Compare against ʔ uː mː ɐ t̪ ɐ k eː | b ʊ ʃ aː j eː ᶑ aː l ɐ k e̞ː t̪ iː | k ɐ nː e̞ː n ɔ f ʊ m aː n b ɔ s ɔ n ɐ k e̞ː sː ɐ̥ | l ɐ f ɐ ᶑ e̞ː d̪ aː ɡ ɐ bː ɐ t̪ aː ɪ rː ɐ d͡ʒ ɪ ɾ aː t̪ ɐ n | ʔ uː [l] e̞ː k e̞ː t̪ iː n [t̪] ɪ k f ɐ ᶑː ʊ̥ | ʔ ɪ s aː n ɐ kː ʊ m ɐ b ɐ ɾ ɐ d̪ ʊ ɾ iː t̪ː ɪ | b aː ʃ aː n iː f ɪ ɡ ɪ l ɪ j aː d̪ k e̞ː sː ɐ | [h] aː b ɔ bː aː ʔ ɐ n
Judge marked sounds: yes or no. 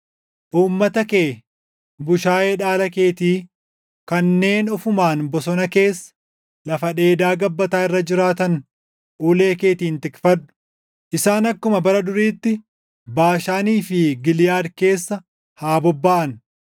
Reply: yes, yes, yes

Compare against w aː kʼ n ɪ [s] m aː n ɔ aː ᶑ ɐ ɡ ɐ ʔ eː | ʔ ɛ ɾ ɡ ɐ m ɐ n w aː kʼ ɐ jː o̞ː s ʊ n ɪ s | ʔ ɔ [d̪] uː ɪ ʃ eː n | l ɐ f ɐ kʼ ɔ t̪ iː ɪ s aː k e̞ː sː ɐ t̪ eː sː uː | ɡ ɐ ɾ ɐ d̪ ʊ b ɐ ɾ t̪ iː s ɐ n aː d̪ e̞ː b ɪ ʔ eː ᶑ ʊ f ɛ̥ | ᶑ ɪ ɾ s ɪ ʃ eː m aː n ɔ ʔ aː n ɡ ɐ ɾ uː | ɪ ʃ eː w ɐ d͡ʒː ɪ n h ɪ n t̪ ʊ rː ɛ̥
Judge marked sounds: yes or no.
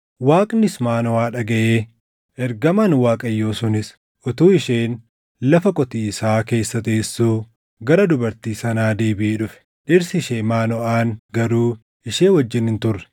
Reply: yes, no

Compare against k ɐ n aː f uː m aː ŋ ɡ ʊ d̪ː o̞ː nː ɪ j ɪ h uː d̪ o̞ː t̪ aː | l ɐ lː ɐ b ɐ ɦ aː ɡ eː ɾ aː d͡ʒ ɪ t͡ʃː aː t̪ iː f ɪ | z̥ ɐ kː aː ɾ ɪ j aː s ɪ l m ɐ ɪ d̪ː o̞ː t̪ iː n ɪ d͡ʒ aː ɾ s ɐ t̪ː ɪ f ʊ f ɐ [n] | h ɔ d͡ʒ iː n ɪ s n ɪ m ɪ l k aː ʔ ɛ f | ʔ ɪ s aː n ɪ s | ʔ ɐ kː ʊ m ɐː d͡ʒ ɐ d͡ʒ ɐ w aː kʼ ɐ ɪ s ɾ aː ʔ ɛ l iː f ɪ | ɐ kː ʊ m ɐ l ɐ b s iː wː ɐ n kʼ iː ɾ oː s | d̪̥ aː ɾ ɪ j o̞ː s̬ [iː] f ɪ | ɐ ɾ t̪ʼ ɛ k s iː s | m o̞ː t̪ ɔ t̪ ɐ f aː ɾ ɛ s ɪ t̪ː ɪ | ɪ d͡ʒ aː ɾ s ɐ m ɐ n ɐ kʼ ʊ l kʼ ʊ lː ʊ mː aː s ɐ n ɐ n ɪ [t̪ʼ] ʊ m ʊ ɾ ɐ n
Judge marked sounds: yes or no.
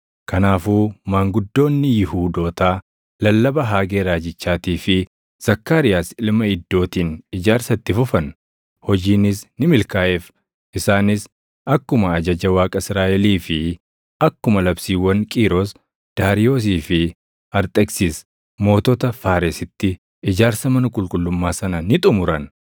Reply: yes, yes, yes

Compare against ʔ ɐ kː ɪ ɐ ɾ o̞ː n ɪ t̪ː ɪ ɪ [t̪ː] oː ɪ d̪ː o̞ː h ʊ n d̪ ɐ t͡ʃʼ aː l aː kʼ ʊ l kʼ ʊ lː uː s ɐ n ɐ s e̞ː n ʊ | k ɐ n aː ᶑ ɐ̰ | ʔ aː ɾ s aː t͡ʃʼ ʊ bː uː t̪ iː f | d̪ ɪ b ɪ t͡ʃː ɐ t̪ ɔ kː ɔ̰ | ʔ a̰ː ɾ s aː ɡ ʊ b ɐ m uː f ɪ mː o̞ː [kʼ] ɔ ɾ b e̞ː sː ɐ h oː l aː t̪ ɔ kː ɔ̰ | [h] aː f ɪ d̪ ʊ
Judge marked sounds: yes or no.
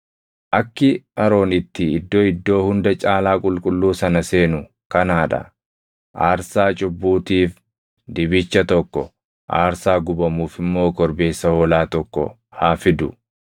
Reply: no, no, yes

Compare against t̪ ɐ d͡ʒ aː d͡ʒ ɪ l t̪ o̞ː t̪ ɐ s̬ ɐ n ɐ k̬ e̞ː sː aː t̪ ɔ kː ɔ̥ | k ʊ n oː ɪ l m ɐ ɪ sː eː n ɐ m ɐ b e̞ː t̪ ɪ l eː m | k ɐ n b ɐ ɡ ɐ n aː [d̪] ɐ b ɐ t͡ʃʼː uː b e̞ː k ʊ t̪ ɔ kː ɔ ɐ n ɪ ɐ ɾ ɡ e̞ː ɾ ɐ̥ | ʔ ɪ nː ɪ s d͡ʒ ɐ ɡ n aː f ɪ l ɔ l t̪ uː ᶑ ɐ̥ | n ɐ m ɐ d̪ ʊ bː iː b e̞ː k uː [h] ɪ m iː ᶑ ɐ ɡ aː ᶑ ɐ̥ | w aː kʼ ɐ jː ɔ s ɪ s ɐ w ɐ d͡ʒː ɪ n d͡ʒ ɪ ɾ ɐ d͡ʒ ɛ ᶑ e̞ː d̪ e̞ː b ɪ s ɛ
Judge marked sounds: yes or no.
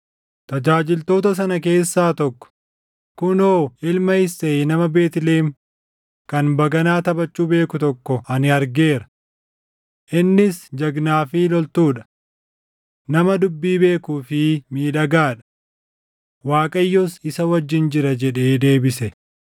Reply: no, no

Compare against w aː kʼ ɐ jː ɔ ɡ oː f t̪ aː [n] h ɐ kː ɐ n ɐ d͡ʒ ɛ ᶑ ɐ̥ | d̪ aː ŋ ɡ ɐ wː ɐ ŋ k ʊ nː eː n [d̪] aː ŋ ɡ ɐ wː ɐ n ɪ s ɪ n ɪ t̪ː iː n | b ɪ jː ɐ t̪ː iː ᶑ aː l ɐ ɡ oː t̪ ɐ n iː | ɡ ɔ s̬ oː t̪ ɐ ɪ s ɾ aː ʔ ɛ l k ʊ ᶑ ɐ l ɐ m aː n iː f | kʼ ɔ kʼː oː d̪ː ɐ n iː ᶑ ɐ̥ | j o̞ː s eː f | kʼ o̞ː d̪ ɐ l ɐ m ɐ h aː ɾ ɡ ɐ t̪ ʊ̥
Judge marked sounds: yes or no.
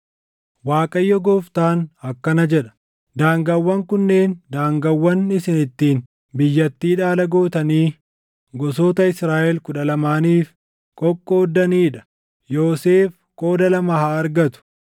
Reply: yes, yes

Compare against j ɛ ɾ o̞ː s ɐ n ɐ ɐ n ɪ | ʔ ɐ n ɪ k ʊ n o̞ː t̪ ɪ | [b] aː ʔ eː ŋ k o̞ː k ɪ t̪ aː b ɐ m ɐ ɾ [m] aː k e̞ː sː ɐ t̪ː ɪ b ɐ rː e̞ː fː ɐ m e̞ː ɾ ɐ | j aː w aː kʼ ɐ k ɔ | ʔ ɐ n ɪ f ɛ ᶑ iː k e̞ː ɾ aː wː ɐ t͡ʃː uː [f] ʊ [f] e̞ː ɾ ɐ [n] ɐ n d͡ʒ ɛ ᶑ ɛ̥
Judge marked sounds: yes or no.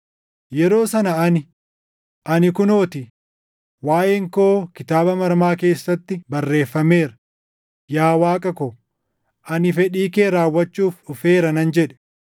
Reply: no, yes, yes, yes, yes

